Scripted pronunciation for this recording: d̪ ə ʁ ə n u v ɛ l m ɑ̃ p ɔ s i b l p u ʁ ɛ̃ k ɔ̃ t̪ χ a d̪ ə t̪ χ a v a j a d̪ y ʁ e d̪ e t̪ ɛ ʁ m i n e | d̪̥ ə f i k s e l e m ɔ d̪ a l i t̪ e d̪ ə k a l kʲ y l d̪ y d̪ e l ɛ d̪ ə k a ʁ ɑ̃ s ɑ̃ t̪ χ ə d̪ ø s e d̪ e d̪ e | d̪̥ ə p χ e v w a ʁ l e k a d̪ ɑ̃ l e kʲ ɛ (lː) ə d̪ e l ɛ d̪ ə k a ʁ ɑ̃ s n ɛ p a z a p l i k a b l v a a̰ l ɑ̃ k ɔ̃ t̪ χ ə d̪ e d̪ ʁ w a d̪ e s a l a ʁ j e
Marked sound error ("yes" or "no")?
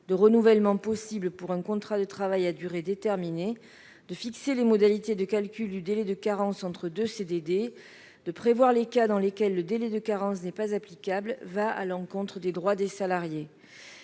no